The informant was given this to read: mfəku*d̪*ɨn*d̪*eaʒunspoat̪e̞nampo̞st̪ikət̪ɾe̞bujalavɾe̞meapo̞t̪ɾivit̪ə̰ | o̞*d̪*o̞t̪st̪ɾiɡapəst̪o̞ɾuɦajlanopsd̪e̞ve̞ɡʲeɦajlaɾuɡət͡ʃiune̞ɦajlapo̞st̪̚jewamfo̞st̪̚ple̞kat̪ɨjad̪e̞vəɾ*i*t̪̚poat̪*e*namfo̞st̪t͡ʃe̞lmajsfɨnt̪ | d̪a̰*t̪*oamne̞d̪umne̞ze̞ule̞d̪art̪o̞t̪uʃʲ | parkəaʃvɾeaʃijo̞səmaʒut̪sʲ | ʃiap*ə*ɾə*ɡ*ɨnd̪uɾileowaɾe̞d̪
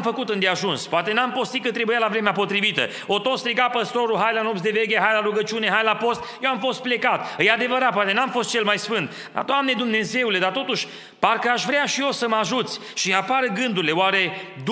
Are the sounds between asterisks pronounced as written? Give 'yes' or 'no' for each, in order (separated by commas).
no, yes, no, no, yes, no, no, yes